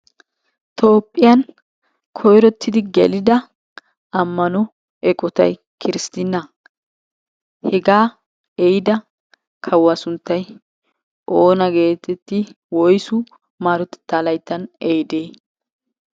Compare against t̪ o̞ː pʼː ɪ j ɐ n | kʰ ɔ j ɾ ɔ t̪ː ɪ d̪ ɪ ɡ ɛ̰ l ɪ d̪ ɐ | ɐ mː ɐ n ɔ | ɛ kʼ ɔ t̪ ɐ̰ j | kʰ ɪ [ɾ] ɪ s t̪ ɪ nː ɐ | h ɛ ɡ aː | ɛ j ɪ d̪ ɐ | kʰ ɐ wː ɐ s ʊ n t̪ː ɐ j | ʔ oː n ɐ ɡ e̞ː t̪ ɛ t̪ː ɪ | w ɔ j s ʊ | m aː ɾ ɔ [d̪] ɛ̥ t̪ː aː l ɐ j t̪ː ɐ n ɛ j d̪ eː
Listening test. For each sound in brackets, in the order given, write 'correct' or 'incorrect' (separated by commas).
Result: correct, incorrect